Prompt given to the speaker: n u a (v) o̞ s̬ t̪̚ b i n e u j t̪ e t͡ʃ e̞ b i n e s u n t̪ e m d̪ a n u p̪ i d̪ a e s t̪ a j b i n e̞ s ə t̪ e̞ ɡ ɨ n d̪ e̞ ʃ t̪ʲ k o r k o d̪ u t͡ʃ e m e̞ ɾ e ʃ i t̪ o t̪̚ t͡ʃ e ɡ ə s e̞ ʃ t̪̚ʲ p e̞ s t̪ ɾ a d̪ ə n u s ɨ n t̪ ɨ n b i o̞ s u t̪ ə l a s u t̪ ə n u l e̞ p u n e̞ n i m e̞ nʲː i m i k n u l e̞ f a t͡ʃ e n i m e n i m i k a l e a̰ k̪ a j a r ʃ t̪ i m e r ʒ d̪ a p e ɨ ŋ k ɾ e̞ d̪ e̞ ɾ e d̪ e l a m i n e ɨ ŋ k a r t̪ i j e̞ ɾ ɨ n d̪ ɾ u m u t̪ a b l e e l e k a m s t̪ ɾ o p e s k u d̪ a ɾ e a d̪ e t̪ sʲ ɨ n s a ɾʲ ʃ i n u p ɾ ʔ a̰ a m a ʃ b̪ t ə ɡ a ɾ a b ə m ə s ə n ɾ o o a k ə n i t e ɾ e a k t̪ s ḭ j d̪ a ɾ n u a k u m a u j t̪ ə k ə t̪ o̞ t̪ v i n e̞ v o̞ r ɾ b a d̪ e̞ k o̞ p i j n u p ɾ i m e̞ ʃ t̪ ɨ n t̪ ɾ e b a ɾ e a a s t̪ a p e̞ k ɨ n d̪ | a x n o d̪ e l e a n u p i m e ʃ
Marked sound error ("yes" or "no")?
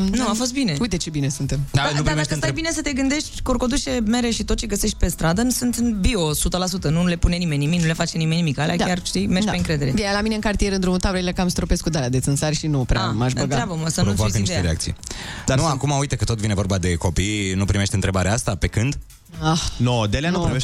yes